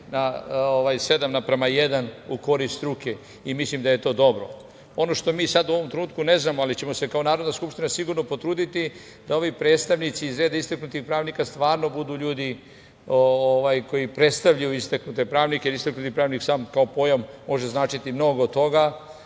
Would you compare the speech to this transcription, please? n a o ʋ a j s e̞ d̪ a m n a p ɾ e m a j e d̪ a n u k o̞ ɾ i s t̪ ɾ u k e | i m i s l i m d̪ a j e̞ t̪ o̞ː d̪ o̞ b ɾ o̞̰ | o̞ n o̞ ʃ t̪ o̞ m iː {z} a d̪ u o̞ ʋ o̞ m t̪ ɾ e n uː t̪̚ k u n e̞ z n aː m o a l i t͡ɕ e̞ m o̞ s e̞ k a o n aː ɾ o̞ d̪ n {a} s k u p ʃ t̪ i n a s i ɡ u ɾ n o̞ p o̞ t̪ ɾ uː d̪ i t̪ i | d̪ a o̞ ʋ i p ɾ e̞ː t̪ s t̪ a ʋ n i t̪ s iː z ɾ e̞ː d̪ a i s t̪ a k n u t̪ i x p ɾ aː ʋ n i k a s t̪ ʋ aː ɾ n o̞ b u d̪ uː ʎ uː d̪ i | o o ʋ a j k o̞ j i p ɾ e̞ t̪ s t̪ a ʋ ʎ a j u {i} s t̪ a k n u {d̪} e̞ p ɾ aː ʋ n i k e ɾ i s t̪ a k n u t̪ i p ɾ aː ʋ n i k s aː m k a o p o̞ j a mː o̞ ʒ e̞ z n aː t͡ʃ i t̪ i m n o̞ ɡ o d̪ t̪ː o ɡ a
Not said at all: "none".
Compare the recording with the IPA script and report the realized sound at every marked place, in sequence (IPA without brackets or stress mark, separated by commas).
s, a, i, t̪